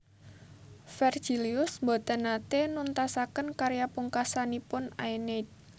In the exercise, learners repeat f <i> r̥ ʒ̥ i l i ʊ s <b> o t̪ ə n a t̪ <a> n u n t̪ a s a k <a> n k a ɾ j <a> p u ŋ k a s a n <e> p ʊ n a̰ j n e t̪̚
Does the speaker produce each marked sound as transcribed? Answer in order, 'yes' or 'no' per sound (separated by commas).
no, yes, no, no, yes, no